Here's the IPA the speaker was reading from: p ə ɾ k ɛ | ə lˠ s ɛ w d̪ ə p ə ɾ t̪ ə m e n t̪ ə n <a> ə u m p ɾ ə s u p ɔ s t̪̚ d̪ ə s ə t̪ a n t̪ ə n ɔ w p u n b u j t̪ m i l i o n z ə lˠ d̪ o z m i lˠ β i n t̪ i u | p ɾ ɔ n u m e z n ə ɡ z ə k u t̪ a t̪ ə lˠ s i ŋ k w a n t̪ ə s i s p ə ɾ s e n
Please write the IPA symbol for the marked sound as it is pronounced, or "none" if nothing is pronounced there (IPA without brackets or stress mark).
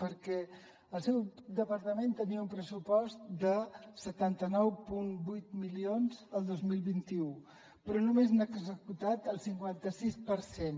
i